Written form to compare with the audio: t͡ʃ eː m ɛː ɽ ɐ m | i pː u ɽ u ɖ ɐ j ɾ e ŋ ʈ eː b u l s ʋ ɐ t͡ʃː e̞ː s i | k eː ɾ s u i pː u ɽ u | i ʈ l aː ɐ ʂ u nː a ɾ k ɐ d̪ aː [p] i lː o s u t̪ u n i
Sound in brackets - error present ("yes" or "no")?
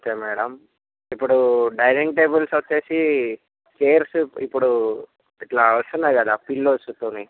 no